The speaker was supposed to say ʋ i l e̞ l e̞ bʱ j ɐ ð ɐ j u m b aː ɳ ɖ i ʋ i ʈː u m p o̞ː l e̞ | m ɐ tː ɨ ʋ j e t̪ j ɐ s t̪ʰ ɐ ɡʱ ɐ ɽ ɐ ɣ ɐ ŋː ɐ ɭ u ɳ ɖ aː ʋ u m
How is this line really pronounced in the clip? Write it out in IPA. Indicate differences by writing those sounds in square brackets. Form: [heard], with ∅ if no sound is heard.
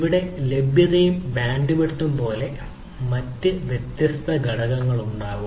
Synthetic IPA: ʋ i [ɽ] e̞ l e̞ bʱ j ɐ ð ɐ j u m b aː ɳ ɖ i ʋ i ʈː u m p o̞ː l e̞ | m ɐ tː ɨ ʋ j e t̪ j ɐ s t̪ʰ ɐ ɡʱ ɐ ɽ ɐ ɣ ɐ ŋː ɐ ɭ u ɳ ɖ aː ʋ u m